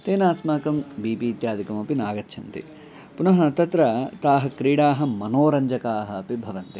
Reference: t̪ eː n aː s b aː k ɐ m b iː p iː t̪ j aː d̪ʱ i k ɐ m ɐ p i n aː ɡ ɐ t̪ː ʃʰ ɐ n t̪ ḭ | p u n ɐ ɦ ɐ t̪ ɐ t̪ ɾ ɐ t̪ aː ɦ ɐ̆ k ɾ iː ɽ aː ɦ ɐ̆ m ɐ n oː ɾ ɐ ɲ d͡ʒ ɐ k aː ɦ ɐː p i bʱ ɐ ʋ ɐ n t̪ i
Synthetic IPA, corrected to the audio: t̪ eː n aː s m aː k ɐ m b iː p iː t̪ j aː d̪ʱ i k ɐ m ɐ p i n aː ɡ ɐ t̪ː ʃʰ ɐ n t̪ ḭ | p u n ɐ ɦ ɐ t̪ ɐ t̪ ɾ ɐ t̪ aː ɦ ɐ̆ k ɾ iː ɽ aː ɦ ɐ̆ m ɐ n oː ɾ ɐ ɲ d͡ʒ ɐ k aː ɦ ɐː p i bʱ ɐ ʋ ɐ n t̪ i